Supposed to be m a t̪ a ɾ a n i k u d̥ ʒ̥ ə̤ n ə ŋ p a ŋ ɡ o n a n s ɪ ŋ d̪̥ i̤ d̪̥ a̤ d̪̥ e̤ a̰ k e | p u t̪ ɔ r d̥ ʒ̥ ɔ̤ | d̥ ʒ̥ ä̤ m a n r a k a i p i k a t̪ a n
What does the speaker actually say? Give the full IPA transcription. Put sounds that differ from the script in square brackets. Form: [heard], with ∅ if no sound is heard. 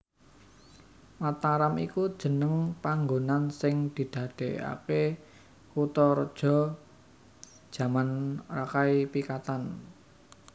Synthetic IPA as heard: m a t̪ a ɾ a [m] i k u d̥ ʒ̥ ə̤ n ə ŋ p a ŋ ɡ o n a n s ɪ ŋ d̪̥ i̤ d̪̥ a̤ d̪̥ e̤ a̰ k e | [k] u t̪ ɔ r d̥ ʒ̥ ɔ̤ | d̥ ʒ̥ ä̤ m a n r a k a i p i k a t̪ a n